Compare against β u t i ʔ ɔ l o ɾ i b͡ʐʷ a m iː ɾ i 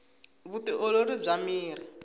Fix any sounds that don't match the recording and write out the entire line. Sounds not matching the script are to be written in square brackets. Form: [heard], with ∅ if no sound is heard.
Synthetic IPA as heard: β u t i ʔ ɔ l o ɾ i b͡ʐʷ a m iː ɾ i